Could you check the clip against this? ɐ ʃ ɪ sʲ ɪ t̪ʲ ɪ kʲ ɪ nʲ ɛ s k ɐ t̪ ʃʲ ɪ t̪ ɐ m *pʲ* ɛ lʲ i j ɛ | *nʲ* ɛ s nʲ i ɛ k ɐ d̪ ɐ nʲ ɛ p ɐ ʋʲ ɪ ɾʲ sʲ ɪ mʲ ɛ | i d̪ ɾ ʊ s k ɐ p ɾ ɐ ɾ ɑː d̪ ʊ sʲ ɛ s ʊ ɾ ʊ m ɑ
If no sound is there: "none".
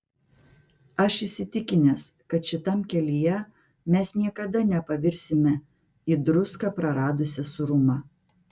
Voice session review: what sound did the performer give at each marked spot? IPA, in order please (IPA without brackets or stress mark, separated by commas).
kʲ, mʲ